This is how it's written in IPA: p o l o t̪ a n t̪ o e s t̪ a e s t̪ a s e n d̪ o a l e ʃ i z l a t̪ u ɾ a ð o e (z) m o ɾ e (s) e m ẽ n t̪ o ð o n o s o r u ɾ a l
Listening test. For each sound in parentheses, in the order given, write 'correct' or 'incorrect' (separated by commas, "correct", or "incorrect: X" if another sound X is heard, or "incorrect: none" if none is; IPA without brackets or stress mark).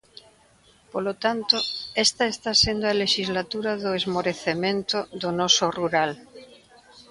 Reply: correct, incorrect: θ